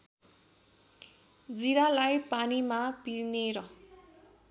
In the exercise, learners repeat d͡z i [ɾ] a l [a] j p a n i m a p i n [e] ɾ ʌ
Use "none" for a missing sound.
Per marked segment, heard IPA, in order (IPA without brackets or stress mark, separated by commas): ɾ, a, e